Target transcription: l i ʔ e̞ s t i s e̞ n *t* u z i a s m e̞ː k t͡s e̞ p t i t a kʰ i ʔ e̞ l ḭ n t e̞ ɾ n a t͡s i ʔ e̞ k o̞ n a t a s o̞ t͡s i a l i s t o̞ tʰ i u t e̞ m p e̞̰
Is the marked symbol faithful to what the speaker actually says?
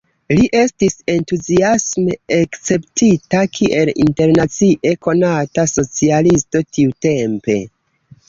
yes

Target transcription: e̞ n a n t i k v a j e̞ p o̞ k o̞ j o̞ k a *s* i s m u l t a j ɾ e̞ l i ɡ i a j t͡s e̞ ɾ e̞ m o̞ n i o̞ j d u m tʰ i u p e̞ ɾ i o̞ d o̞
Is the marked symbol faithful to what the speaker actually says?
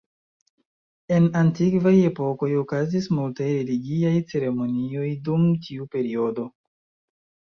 no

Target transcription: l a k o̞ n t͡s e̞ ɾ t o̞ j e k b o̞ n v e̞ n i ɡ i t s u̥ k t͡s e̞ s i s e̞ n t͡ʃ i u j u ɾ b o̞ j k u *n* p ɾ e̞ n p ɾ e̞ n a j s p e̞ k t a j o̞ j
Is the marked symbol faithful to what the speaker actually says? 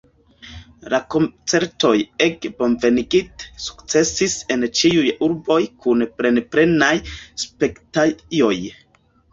yes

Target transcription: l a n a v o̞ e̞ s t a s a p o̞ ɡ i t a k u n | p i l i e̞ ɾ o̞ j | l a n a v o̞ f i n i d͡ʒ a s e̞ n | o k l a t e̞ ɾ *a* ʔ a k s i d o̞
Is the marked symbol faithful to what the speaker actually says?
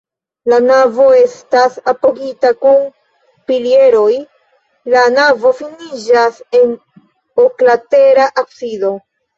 yes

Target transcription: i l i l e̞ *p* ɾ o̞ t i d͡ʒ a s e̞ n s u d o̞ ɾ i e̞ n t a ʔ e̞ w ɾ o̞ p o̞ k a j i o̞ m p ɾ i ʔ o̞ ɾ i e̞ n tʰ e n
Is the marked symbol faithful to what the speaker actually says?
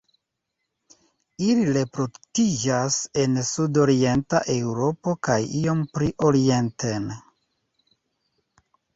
yes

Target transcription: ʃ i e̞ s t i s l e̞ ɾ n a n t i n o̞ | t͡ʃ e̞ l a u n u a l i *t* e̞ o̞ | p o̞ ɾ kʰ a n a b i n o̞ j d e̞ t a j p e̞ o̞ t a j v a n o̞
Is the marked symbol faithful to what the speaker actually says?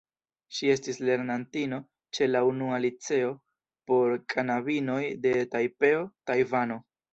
no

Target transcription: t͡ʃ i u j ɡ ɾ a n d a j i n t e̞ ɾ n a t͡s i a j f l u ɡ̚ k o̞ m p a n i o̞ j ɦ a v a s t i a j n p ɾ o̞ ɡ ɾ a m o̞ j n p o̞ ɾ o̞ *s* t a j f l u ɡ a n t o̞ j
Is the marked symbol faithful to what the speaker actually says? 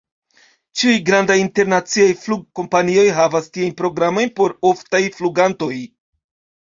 no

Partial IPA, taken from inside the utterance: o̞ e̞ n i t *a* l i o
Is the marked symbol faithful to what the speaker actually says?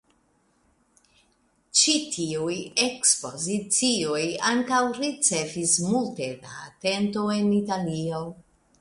yes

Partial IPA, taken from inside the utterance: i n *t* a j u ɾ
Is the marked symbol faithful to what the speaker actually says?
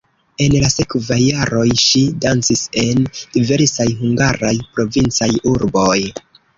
no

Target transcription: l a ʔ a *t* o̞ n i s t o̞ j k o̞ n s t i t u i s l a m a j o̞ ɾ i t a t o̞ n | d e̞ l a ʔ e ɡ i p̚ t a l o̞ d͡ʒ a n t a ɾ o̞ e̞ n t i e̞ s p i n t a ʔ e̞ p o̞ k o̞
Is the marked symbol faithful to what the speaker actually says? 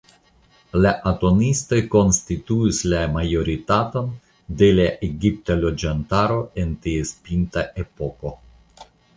yes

